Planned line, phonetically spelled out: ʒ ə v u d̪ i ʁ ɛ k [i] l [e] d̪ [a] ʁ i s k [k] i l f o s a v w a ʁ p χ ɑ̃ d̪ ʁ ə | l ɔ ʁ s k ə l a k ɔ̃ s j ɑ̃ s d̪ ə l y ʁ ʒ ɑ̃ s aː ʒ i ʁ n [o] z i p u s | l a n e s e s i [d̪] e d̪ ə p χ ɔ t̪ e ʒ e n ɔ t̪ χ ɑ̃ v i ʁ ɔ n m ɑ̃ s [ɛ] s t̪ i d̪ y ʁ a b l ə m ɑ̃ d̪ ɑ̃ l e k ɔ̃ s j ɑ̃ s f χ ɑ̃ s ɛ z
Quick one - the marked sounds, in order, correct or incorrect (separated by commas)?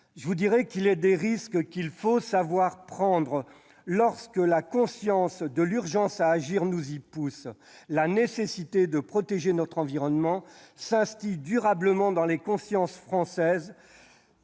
correct, incorrect, incorrect, correct, incorrect, incorrect, incorrect